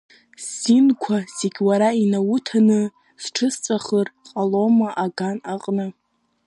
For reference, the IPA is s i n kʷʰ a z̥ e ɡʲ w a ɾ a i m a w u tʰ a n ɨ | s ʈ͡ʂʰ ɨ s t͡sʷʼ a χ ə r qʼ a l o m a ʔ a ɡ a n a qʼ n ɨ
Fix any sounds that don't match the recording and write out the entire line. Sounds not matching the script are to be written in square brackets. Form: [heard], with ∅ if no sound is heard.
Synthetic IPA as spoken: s i n kʷʰ a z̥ e ɡʲ w a ɾ a i [n] a w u tʰ a n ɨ | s ʈ͡ʂʰ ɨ s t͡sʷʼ a χ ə r qʼ a l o m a ʔ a ɡ a n a qʼ n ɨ